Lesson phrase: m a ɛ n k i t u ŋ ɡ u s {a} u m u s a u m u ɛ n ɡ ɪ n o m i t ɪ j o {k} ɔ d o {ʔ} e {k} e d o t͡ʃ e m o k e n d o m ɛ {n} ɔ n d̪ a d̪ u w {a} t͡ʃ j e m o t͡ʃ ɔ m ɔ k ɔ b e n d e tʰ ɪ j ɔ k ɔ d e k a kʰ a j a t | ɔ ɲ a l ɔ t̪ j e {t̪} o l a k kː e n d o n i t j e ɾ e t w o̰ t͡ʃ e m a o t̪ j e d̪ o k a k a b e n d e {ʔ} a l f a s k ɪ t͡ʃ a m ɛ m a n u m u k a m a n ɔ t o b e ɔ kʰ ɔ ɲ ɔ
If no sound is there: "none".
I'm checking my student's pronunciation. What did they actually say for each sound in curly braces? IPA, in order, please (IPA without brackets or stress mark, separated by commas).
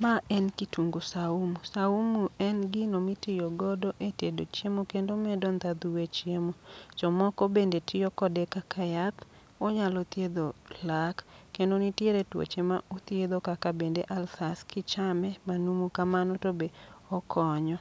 a, ɡ, ʔ, t, d, e, d̪, ʔ